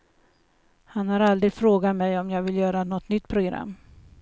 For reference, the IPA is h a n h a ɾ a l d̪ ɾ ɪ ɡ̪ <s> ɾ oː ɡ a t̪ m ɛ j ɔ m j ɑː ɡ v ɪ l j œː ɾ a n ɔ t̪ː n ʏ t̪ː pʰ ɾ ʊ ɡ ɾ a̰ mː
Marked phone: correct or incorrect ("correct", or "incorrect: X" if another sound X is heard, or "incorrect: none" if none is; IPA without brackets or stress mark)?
incorrect: f